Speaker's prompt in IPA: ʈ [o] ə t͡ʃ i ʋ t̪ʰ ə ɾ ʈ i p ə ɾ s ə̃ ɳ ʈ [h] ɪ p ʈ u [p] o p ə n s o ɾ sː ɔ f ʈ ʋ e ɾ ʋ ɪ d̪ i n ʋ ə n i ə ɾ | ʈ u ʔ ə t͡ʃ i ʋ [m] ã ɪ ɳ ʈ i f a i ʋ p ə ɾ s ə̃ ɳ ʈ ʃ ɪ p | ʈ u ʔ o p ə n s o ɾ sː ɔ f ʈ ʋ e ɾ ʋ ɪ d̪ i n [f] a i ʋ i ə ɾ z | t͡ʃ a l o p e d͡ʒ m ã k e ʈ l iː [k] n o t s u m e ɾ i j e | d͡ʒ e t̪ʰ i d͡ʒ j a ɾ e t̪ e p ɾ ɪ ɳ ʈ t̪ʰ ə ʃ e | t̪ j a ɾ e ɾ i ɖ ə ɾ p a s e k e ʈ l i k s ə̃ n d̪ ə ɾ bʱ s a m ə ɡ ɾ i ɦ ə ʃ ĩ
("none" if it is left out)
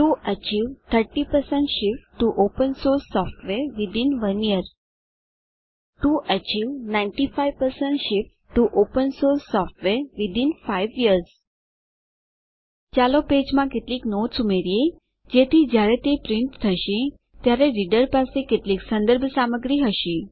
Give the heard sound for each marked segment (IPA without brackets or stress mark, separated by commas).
u, ʃ, ʔ, n, f, k